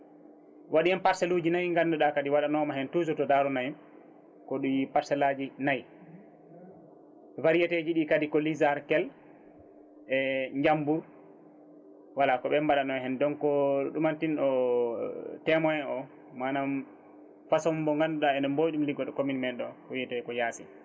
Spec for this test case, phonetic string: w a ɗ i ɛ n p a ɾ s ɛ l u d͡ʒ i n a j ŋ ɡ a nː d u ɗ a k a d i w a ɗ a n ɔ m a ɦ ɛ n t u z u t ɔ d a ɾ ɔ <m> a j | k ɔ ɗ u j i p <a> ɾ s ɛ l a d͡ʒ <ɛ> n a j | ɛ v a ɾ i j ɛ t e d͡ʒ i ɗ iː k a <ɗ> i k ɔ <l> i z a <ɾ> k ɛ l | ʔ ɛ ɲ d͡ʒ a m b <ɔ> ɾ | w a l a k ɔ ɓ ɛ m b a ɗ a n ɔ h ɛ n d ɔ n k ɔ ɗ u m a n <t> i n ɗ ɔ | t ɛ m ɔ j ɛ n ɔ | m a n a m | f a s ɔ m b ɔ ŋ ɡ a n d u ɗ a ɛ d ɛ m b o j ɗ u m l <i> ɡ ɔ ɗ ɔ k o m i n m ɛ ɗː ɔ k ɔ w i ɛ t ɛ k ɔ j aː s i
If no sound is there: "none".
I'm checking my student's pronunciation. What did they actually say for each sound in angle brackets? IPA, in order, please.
n, a, i, d, l, ɾ, u, t, i

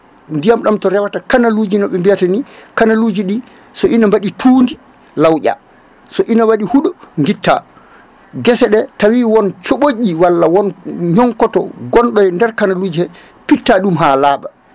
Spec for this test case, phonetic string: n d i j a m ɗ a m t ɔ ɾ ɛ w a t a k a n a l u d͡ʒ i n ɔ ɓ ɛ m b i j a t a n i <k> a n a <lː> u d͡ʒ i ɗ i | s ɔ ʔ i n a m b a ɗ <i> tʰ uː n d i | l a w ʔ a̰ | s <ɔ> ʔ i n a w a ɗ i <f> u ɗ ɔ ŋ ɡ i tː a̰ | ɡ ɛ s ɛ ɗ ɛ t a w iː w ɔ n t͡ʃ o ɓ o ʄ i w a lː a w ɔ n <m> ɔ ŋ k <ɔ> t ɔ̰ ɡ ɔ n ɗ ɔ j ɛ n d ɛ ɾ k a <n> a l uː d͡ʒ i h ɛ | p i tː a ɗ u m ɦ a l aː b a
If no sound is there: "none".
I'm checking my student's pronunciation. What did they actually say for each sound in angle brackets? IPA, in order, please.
k, l, i, ɔ, h, ɲ, ɔ, n

